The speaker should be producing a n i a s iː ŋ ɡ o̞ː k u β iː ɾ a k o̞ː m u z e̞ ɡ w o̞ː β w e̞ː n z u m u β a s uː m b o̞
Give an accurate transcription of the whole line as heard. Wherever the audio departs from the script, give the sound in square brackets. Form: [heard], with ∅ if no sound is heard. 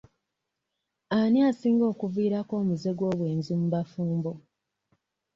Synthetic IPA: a n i a s iː ŋ ɡ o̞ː k u [v] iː ɾ a k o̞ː m u z e̞ ɡ w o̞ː β w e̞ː n z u m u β a [f] uː m b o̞